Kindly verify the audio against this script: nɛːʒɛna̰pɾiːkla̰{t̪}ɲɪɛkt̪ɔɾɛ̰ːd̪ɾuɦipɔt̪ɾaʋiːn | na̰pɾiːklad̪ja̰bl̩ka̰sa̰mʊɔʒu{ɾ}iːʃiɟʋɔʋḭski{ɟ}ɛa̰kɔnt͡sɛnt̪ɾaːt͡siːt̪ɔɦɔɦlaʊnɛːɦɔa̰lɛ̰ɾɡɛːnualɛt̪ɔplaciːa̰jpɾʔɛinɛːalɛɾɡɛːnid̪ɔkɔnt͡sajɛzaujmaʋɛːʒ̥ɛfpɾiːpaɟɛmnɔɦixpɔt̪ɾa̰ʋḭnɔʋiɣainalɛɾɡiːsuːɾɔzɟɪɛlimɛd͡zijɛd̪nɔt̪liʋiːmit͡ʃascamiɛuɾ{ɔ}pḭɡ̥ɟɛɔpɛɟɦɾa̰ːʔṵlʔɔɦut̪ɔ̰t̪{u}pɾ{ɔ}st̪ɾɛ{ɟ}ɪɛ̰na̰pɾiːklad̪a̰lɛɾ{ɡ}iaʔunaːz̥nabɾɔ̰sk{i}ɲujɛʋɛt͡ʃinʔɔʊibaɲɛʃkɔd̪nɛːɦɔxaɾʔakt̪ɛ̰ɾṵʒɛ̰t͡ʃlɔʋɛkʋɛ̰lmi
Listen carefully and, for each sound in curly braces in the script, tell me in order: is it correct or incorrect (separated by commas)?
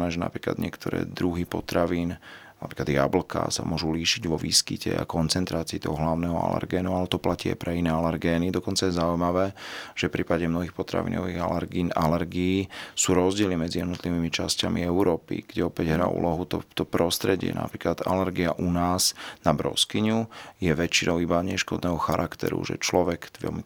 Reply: incorrect, incorrect, incorrect, incorrect, incorrect, correct, correct, correct, correct